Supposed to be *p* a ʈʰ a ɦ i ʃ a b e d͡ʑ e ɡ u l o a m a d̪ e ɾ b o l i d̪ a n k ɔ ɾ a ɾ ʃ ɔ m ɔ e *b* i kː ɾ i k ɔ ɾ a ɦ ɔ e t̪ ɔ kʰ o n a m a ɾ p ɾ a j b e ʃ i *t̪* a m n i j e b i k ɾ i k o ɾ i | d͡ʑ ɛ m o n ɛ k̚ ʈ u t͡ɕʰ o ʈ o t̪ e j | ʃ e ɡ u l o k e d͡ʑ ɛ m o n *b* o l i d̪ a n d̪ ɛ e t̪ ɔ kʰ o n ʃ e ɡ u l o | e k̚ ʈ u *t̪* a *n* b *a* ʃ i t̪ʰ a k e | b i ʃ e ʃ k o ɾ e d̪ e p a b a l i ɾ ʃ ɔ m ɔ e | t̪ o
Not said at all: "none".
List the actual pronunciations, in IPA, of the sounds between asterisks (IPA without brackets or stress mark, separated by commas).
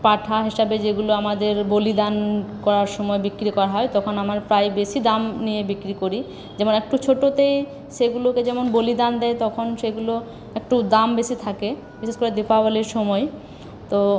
p, b, d̪, b, d̪, m, e